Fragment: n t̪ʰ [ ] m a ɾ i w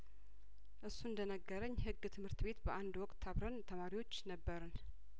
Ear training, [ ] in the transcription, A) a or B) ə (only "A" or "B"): B